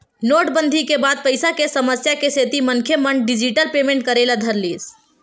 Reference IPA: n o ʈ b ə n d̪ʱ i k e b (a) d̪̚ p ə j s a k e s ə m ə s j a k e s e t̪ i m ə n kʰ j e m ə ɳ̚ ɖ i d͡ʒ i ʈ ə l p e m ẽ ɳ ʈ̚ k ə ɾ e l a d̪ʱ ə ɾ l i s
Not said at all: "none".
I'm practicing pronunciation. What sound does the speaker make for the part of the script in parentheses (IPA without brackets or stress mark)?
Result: a